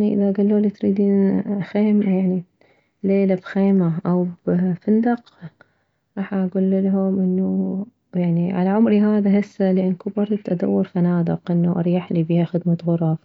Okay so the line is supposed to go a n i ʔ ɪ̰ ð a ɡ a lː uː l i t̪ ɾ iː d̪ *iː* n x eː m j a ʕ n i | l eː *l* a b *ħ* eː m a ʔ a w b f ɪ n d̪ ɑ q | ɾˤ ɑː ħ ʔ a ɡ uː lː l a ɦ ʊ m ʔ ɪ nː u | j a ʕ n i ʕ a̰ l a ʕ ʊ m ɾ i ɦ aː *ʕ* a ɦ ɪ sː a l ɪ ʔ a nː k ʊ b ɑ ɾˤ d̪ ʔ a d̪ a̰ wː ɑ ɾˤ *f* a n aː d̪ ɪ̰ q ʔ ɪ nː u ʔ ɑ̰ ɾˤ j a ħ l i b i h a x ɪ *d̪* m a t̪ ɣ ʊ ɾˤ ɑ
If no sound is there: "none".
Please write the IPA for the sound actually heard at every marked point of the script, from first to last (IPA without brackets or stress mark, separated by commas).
iː, l, x, ð, f, d̪